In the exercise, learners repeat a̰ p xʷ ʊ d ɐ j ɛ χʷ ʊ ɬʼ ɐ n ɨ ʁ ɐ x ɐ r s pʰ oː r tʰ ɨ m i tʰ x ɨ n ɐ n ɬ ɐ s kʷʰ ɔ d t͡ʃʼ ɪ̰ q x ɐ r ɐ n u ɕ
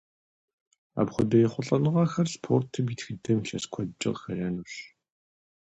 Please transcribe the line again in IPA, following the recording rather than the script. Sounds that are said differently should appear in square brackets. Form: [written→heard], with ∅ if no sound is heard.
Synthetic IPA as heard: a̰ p [xʷ→χʷ] ʊ d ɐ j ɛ χʷ ʊ ɬʼ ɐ n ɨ ʁ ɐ x ɐ r s pʰ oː r tʰ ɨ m i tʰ x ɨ [n→d] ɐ [n→m] ɬ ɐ s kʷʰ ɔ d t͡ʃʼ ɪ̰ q x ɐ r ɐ n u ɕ